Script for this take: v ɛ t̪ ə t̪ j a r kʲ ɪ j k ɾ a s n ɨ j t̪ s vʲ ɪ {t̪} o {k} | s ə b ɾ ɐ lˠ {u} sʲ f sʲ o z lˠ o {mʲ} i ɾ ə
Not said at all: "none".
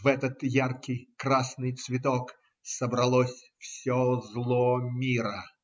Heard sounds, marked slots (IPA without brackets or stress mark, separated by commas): t̪, k, o, mʲ